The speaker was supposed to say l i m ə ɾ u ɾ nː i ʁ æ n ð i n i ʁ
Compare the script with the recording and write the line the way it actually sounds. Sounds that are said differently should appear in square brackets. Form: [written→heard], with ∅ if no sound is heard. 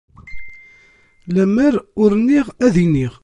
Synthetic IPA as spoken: l [i→æ] m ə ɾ [u→ʊ] ɾ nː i ʁ æ [n→∅] ð i n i ʁ